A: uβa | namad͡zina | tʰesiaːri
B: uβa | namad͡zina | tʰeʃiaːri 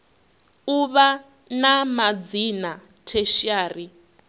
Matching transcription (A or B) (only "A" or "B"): B